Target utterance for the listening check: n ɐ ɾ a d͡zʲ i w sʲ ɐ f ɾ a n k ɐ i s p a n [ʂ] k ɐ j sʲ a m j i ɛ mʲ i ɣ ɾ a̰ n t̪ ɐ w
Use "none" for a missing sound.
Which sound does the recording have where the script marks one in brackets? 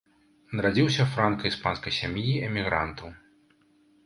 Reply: s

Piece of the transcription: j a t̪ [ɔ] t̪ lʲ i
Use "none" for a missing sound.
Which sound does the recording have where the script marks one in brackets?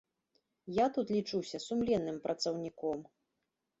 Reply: u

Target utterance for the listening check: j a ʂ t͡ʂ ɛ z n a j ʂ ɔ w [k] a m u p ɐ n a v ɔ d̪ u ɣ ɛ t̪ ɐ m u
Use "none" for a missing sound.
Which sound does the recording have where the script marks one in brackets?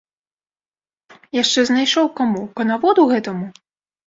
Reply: k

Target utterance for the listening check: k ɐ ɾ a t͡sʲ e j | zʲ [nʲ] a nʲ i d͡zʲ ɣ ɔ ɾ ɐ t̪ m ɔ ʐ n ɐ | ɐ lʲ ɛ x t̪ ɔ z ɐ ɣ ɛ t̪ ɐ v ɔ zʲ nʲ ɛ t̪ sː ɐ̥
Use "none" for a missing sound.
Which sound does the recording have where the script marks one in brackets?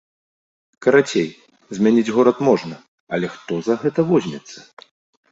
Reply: mʲ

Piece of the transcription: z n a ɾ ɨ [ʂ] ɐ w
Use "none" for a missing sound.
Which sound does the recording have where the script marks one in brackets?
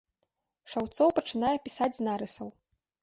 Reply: s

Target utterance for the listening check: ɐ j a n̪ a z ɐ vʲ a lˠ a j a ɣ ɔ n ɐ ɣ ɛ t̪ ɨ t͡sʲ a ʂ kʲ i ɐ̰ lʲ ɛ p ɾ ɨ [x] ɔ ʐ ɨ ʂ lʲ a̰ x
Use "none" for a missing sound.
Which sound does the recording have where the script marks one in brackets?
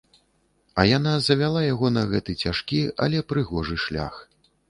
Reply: ɣ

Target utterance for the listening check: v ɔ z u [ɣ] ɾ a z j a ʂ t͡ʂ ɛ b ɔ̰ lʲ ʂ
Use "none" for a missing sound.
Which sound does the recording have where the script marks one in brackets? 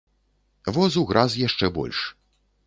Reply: ɣ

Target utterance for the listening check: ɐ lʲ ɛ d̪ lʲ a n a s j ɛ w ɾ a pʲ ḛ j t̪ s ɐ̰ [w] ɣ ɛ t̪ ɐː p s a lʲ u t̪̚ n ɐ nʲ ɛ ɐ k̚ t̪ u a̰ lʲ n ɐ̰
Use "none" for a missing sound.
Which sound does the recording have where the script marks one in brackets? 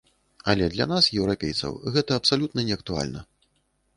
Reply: w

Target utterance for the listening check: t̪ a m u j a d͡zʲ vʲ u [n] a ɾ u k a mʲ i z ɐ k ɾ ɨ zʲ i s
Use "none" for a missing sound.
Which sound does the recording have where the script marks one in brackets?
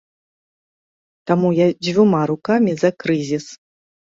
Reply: m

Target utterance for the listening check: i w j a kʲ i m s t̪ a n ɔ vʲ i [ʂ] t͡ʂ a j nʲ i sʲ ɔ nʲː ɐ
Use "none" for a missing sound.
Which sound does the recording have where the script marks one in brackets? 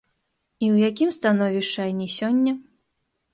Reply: ʂ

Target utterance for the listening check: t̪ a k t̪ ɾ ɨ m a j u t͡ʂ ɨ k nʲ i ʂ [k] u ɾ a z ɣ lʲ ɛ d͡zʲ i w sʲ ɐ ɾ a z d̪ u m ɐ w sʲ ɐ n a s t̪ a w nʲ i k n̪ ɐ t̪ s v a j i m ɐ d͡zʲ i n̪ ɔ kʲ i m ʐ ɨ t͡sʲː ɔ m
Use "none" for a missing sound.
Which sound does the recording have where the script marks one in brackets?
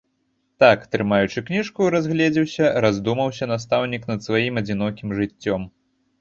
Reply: k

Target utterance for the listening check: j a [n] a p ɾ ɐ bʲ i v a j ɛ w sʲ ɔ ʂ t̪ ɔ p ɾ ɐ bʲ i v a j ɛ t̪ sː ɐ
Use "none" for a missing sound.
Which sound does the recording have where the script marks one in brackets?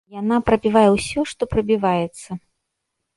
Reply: n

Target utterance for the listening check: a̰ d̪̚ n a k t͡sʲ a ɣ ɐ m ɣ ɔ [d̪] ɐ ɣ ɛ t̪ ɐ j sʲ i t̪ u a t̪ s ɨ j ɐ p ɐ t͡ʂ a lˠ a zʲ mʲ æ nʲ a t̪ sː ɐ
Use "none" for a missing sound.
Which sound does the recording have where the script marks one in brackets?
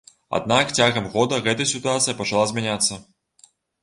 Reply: d̪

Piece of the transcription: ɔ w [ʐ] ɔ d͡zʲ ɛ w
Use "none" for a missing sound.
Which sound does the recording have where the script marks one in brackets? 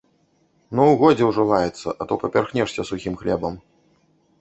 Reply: ɣ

